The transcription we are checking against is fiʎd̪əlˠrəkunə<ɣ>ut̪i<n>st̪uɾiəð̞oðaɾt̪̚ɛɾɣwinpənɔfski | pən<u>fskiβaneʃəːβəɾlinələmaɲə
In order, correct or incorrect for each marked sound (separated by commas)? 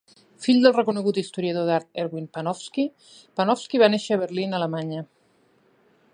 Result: correct, incorrect, incorrect